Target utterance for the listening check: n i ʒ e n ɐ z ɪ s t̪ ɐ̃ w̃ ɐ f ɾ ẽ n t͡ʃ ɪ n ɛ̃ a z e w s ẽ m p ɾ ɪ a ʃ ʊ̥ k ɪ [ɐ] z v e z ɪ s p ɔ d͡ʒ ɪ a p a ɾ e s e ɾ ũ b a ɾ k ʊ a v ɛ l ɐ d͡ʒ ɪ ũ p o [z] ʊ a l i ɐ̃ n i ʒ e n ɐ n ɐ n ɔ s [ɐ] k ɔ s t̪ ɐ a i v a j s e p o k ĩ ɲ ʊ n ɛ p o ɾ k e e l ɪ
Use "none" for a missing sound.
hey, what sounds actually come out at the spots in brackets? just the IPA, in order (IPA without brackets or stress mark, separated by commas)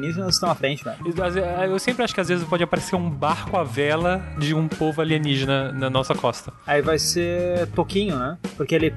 a, v, ɐ